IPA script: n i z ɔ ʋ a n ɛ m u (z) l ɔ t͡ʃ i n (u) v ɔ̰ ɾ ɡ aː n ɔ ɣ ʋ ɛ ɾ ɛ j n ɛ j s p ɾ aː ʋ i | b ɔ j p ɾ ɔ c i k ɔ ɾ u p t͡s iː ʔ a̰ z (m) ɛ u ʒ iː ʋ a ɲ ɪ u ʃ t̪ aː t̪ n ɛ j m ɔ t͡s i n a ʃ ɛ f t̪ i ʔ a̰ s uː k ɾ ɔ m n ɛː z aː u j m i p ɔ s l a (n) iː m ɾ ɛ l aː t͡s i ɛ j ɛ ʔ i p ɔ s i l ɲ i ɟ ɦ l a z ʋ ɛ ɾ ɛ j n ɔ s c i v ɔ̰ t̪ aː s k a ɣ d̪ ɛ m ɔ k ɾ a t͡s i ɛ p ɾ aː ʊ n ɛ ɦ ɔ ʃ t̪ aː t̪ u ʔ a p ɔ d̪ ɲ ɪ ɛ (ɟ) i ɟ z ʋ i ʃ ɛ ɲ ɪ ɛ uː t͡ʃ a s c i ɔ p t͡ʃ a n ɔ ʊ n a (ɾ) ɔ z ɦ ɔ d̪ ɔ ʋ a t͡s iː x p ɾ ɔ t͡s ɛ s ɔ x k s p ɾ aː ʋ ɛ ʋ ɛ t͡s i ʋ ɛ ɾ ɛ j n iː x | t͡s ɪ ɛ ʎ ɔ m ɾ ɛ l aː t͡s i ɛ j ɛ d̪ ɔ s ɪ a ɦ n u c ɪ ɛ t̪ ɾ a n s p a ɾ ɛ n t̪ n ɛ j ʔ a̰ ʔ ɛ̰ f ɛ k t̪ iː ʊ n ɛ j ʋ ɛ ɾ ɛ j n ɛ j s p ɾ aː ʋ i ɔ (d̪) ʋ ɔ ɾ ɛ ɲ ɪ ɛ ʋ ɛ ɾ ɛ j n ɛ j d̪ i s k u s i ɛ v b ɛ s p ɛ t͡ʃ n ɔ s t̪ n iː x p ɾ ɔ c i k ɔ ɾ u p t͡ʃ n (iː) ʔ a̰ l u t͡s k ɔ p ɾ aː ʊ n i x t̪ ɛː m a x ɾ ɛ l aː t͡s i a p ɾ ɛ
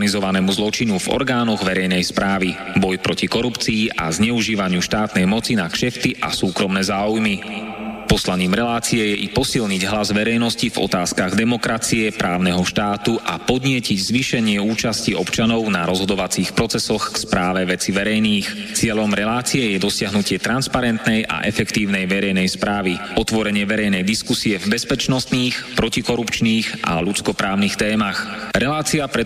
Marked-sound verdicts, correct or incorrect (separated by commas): correct, correct, incorrect, incorrect, incorrect, correct, incorrect, correct